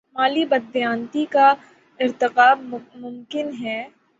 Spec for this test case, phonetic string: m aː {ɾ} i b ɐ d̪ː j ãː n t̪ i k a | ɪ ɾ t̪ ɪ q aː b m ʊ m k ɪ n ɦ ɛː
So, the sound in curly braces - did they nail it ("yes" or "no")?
no